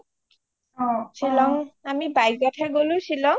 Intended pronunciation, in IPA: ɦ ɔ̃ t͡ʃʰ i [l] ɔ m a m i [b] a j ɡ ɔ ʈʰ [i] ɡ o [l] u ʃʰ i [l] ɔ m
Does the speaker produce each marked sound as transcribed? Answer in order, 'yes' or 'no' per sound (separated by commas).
yes, yes, no, yes, yes